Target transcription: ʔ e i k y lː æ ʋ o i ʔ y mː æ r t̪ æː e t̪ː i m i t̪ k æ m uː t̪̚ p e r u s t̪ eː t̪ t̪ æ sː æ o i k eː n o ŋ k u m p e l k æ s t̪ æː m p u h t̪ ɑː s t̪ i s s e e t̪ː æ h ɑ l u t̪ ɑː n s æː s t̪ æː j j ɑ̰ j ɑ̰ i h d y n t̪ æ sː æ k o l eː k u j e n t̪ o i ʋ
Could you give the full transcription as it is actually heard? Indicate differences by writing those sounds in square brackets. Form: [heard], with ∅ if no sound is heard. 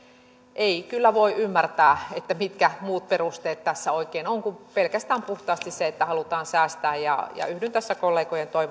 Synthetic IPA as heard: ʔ e i k y lː æ ʋ o i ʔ y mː æ r t̪ æː e t̪ː [æ] m i t̪ k æ m uː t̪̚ p e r u s t̪ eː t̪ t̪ æ sː æ o i k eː n o ŋ k u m p e l k æ s t̪ æː m p u h t̪ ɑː s t̪ i s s e e t̪ː æ h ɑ l u t̪ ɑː n s æː s t̪ æː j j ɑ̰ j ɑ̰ [y] h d y n t̪ æ sː æ k o [lː] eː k [o] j e n t̪ o i ʋ